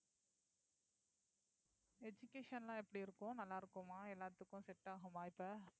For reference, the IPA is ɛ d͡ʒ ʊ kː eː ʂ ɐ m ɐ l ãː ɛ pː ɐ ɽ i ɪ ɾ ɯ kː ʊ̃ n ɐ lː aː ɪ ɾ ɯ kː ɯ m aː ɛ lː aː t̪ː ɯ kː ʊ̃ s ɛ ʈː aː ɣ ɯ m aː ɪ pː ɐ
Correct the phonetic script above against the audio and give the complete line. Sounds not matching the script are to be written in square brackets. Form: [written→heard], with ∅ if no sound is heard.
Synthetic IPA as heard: ɛ d͡ʒ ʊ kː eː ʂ ɐ [m→n] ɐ l ãː ɛ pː ɐ ɽ i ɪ ɾ ɯ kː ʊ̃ n ɐ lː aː ɪ ɾ ɯ kː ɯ m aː ɛ lː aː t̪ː ɯ kː ʊ̃ s ɛ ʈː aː ɣ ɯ m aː ɪ pː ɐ